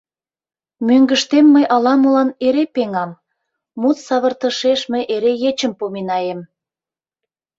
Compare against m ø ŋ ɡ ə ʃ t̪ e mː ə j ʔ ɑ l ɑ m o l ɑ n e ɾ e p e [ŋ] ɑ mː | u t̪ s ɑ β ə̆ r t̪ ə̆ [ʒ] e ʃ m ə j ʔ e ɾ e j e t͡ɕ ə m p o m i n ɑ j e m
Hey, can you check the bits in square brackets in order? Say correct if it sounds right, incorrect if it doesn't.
correct, incorrect: ʃ

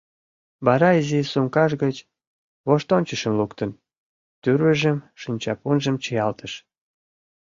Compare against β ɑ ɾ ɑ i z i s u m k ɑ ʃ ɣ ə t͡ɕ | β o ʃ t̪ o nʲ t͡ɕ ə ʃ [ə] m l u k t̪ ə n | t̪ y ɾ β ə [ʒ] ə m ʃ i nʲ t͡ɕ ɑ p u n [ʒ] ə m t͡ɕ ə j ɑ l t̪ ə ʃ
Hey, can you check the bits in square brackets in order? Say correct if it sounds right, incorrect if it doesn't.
correct, correct, correct

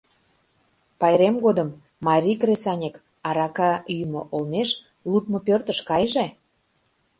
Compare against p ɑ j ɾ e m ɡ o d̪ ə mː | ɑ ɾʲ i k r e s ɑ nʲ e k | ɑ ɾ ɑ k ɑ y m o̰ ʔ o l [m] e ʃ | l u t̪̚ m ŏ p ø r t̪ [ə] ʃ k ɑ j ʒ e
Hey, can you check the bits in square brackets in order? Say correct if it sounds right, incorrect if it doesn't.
incorrect: n, correct

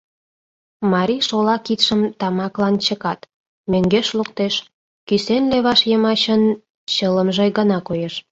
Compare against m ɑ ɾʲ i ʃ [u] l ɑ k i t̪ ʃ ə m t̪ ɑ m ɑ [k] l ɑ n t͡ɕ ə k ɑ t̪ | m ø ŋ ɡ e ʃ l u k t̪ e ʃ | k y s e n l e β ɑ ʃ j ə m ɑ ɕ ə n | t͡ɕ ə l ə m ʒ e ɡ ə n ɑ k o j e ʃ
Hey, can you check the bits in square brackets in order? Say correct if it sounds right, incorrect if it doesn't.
incorrect: o, correct

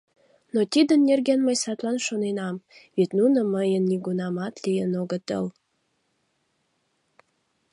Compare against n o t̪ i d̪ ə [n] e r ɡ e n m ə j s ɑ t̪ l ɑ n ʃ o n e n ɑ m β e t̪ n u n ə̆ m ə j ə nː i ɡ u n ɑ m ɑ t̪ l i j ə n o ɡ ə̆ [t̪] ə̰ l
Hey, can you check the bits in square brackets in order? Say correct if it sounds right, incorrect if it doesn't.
incorrect: nː, correct

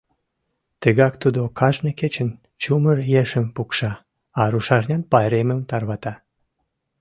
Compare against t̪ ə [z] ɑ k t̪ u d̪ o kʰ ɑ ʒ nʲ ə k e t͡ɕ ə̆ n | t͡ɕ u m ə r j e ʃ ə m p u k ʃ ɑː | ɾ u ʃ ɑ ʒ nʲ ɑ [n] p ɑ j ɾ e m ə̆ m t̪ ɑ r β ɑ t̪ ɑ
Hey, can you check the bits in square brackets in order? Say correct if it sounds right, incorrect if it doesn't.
incorrect: ɣ, correct

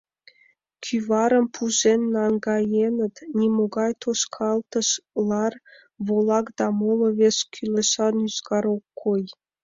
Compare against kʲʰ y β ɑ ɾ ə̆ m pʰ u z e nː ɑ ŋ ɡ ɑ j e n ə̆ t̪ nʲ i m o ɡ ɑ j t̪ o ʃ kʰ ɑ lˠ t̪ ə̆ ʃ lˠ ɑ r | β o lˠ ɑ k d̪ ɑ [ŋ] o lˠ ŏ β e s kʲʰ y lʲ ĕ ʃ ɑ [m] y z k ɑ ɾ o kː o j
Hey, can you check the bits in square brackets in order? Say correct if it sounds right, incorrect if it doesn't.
incorrect: m, incorrect: n

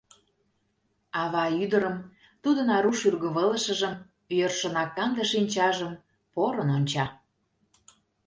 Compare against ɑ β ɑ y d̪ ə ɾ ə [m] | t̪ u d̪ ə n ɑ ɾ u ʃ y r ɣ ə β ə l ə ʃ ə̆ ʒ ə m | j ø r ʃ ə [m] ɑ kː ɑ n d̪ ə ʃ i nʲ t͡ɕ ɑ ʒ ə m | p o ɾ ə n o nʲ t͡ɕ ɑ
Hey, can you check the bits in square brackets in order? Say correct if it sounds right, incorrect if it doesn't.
correct, incorrect: n

